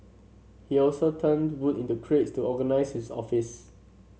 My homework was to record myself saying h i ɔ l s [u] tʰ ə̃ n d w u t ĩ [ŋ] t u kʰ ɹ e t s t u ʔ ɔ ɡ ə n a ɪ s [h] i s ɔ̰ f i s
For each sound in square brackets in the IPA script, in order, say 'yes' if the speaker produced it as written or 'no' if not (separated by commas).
no, no, yes